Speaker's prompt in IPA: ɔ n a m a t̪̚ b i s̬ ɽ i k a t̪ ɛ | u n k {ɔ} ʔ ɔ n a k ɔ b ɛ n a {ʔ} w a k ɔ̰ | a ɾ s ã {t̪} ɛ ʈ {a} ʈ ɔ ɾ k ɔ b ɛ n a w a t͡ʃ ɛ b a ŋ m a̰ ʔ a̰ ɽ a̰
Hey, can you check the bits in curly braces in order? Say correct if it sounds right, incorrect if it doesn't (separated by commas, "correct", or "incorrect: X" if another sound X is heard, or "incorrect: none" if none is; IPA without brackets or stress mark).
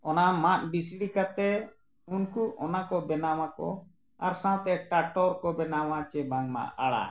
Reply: incorrect: u, incorrect: none, correct, correct